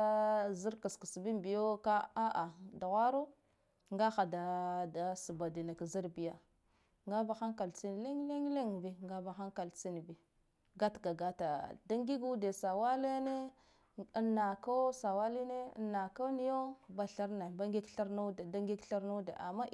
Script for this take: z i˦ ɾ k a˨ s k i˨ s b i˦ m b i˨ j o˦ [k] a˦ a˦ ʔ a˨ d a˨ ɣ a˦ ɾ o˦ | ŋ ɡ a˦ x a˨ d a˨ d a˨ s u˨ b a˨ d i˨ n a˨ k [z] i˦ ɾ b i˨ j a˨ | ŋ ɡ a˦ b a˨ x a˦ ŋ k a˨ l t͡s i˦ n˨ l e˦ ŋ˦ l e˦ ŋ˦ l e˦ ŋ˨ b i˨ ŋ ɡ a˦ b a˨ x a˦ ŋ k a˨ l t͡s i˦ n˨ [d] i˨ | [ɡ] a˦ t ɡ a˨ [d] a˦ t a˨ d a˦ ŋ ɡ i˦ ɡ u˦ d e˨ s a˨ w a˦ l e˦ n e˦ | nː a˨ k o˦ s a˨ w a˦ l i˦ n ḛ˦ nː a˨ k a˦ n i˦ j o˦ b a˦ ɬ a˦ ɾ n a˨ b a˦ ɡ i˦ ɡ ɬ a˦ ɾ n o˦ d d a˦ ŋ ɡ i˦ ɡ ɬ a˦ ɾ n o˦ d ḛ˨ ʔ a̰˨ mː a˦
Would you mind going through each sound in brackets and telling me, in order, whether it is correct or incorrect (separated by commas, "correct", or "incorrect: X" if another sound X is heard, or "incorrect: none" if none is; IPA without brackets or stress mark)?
correct, correct, incorrect: b, correct, incorrect: ɡ